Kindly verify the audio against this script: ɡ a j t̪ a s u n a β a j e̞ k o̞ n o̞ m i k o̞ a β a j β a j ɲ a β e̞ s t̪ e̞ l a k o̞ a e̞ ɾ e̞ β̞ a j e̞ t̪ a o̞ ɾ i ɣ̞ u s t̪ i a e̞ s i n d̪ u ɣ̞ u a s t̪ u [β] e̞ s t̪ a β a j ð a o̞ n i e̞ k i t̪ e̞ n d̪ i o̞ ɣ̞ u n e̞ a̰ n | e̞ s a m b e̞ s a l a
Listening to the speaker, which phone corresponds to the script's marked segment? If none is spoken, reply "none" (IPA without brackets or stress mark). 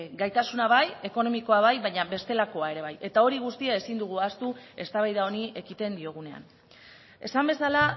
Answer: none